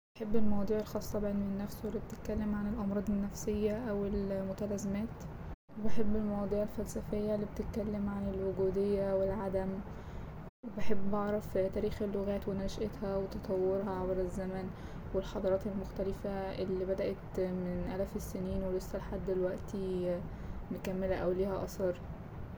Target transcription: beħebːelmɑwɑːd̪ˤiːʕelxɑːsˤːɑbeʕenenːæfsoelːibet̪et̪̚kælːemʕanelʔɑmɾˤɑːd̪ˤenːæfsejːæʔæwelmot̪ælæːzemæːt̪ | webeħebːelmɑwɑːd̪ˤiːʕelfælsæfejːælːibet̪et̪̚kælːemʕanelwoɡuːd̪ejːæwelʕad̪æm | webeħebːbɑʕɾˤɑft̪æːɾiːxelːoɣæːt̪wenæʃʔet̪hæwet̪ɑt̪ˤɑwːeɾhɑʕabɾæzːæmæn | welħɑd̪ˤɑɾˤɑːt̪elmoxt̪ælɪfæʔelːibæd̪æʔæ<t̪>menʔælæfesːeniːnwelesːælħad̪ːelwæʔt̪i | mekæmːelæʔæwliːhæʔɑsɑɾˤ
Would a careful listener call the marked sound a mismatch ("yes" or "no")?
no